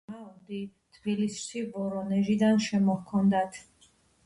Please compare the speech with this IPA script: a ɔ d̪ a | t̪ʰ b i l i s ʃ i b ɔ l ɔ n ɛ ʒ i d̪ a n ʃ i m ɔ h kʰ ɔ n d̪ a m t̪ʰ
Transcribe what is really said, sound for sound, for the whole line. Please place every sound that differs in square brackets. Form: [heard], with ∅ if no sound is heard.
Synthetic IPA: a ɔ d̪ [i] | t̪ʰ b i l i s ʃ i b ɔ [ɾ] ɔ n ɛ ʒ i d̪ a n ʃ [ɛ] m ɔ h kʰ ɔ n d̪ a [∅] t̪ʰ